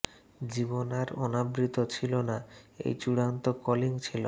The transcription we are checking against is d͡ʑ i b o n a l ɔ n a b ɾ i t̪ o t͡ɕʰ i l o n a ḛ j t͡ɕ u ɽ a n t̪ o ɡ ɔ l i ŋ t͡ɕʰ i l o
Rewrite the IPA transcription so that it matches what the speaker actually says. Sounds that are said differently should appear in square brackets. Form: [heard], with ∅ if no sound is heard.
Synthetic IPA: d͡ʑ i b o n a [ɾ] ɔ n a b ɾ i t̪ o t͡ɕʰ i l o n a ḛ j t͡ɕ u ɽ a n t̪ o [k] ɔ l i ŋ t͡ɕʰ i l o